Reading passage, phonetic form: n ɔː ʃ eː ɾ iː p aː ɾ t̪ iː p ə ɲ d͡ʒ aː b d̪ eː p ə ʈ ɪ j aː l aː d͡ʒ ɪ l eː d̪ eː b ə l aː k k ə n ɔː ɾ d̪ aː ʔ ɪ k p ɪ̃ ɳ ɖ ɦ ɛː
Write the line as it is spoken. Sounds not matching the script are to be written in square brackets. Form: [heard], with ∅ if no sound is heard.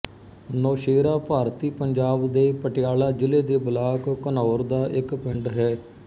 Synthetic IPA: n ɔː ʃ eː ɾ [aː] p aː ɾ t̪ iː p ə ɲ d͡ʒ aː b d̪ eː p ə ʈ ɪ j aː l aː d͡ʒ ɪ l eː d̪ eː b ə l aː k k ə n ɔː ɾ d̪ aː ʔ ɪ k p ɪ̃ ɳ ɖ ɦ ɛː